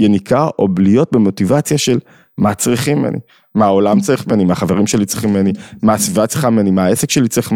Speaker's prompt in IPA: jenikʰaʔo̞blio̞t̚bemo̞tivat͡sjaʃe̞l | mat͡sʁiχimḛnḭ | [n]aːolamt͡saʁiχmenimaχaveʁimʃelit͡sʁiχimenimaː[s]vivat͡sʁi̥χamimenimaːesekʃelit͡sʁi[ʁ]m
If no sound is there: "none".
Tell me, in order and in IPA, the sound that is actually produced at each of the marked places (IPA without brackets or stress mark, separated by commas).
m, s, χ